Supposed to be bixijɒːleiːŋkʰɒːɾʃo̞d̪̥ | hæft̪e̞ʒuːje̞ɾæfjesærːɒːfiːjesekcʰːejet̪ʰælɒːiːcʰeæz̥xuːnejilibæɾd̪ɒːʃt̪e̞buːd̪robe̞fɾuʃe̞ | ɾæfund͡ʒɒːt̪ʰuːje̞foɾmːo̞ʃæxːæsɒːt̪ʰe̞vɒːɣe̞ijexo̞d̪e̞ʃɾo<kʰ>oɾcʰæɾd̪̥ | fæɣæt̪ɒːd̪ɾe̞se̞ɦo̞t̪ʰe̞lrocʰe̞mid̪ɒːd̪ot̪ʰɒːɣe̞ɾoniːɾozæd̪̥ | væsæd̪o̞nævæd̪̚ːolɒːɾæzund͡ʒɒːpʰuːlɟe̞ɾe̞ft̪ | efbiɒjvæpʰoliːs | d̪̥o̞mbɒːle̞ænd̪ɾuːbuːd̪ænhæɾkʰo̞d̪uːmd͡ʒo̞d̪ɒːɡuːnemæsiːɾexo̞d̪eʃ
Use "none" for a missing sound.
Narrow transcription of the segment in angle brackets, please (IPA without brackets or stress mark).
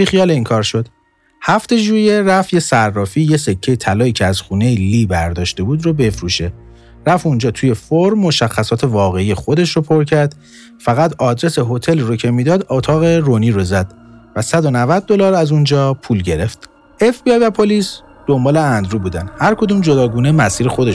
pʰ